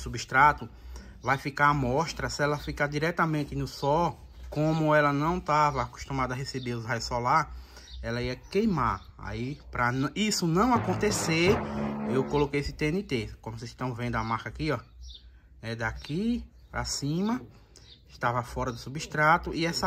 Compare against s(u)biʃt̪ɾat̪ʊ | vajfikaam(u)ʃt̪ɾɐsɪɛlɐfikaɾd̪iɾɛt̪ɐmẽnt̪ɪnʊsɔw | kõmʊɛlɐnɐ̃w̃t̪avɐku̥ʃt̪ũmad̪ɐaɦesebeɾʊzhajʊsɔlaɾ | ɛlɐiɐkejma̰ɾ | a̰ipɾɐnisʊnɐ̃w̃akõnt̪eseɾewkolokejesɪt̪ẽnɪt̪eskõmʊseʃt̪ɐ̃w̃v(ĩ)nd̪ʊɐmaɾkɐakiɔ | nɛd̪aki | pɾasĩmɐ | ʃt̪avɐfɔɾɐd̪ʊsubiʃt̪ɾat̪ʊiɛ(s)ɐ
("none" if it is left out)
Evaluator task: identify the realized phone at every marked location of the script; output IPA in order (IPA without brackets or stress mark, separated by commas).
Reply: u, ɔ, ẽ, s